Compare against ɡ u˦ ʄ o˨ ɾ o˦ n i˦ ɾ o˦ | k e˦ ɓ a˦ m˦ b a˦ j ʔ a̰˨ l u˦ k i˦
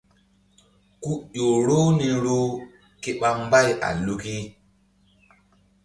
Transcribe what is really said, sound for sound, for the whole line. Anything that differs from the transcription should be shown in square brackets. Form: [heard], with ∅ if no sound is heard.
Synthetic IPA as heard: [k] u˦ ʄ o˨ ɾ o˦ n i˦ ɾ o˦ | k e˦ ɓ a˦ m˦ b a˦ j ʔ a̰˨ l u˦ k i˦